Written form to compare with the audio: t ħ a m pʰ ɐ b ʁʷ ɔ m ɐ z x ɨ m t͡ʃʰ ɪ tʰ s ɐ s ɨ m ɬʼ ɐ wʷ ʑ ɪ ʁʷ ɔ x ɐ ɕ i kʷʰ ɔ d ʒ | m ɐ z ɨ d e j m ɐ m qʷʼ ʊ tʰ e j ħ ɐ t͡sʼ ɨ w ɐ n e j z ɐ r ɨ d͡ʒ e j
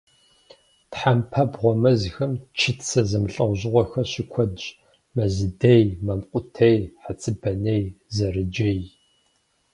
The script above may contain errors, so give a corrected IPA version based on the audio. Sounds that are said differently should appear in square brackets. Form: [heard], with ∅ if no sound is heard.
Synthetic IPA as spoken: t ħ a m pʰ ɐ b ʁʷ ɔ m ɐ z x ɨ m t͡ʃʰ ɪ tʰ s ɐ [z] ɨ m ɬʼ ɐ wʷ ʑ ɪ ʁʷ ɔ x ɐ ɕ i kʷʰ ɔ d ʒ | m ɐ z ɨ d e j m ɐ m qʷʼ ʊ tʰ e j ħ [a] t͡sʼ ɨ [b] ɐ n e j z ɐ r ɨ d͡ʒ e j